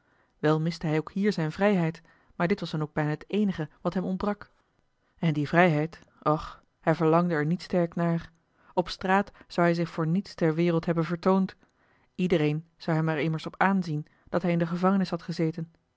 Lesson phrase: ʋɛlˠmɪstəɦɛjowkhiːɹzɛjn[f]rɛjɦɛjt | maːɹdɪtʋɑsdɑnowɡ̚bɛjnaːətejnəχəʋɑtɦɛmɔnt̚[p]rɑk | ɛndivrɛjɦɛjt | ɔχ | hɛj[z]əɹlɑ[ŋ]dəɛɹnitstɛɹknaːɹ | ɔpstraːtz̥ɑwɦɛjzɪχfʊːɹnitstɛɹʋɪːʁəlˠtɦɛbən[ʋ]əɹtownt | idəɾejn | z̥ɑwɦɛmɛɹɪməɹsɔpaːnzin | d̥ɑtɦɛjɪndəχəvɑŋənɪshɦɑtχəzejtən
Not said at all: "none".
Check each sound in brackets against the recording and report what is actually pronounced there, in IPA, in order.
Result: v, b, v, ŋ, v

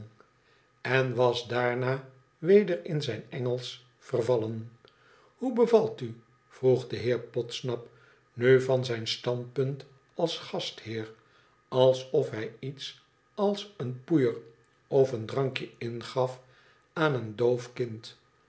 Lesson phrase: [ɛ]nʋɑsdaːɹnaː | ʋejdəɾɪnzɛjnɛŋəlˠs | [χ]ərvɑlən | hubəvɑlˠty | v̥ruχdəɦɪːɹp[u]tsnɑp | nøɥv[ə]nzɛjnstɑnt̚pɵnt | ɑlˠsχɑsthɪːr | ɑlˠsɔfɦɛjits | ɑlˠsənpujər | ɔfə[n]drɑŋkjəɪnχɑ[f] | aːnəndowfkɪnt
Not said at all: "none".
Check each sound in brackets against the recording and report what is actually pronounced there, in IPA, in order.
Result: ɛ, f, ɔ, ɑ, n, f

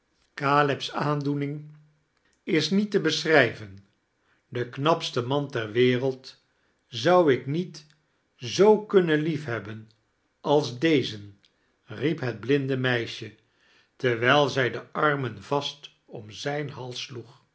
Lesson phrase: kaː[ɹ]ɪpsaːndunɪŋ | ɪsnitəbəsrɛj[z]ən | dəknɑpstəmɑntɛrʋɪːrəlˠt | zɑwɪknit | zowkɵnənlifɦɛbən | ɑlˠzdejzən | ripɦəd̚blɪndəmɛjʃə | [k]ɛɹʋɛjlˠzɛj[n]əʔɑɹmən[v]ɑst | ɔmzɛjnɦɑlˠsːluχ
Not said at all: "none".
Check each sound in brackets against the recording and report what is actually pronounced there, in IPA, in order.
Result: l, v, t, d, v

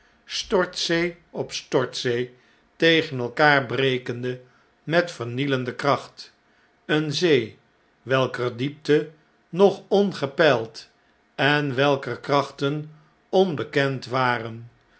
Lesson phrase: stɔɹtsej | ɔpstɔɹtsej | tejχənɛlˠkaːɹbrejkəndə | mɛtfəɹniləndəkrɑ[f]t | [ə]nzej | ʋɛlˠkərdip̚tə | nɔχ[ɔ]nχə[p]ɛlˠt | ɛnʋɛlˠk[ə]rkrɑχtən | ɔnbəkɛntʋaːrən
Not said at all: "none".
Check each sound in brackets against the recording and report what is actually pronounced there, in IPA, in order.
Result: χ, ə, ɔ, p, ə

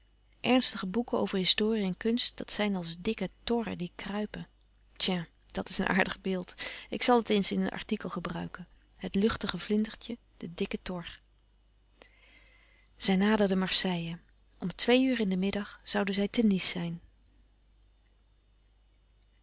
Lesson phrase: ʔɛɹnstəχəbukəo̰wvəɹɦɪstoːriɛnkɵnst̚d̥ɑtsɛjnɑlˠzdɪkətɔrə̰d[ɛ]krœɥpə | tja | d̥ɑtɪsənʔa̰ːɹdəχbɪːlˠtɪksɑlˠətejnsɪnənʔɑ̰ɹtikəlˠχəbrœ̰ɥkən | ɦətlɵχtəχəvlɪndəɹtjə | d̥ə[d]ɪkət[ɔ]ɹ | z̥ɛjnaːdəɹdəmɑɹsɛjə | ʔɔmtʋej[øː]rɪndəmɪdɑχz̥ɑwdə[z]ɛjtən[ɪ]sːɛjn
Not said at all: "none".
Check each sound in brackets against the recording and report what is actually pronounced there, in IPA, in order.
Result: i, d, ɔ, yː, z, i

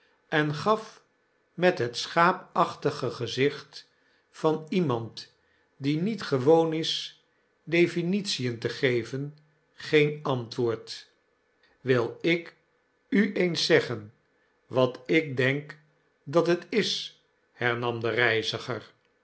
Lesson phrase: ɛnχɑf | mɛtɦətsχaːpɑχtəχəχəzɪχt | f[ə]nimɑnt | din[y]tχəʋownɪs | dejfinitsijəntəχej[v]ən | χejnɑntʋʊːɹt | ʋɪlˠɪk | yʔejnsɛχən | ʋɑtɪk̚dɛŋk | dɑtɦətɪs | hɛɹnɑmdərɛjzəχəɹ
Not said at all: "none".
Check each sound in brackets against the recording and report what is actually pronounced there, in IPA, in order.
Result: ɑ, i, v

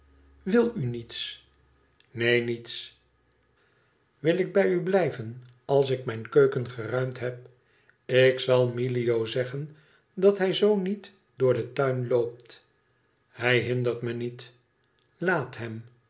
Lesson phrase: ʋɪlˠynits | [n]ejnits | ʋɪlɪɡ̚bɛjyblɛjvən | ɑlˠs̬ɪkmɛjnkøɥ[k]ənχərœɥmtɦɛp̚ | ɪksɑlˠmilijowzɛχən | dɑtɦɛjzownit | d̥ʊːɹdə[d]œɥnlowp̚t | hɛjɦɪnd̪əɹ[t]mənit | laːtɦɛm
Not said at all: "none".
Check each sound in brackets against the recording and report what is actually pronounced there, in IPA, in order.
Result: n, k, t, t

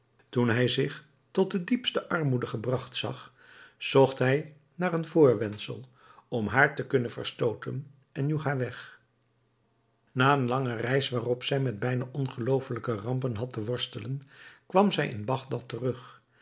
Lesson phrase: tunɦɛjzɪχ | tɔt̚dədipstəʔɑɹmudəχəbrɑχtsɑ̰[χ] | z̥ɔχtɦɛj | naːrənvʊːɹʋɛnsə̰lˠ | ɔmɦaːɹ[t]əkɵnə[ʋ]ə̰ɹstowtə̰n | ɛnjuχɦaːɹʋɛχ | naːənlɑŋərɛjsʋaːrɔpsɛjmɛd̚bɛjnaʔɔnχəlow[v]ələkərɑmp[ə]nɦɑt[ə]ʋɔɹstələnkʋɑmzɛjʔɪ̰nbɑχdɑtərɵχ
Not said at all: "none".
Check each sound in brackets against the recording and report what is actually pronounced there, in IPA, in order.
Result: χ, t, v, f, ə, ə

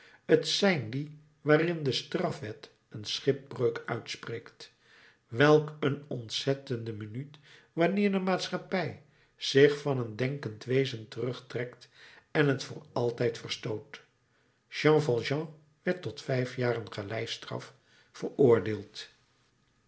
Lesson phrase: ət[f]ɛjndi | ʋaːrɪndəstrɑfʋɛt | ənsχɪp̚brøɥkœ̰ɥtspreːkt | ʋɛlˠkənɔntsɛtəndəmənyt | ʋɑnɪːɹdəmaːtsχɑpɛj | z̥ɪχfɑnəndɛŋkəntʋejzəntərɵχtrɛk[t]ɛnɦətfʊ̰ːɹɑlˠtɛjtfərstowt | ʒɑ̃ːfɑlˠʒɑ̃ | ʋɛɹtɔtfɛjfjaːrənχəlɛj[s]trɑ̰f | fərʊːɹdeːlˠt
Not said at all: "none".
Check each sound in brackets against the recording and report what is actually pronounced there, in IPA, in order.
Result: s, t, s

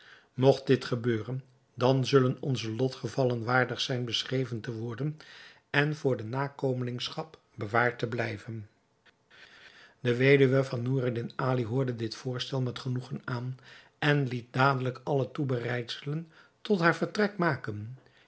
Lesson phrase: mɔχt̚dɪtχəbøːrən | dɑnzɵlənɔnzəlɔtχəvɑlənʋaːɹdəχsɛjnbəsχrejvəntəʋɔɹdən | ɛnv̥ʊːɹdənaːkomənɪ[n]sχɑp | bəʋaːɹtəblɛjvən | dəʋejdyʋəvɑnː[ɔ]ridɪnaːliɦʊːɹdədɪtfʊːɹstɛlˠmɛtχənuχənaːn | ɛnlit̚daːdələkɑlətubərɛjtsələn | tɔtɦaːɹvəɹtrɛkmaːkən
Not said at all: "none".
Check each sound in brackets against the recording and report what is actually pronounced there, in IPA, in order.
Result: ŋ, u

